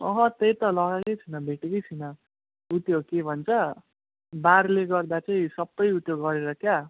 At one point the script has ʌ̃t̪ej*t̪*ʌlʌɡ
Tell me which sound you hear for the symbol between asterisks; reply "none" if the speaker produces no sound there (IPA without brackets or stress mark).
t̪